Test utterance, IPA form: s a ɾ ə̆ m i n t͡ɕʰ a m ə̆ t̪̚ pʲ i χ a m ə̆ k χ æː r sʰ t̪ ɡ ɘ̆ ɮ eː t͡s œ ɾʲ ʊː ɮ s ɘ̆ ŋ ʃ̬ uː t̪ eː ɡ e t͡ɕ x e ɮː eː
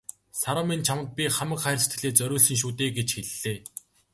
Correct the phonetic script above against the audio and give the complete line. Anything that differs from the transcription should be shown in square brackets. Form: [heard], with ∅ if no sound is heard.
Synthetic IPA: s a ɾ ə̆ m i n t͡ɕʰ a m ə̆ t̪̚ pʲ i χ a m ə̆ k χ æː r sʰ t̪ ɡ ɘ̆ ɮ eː t͡s œ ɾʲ ʊː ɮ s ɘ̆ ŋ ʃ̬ uː t̪ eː ɡ e t͡ɕ x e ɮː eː